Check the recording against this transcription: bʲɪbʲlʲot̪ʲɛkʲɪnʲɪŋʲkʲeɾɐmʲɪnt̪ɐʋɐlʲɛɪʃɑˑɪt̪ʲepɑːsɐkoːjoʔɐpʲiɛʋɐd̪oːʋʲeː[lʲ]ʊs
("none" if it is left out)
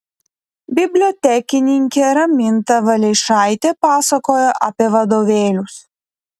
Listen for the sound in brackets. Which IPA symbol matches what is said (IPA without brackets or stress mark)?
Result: lʲ